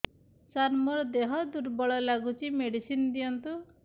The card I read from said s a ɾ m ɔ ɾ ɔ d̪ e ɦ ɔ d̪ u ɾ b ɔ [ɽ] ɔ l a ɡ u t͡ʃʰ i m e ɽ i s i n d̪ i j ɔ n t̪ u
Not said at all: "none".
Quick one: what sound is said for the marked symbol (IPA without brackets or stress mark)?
ɭ